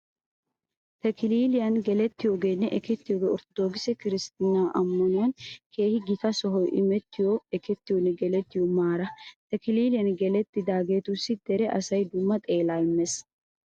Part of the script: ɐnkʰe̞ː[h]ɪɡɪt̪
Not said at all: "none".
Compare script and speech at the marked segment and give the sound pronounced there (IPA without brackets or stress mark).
h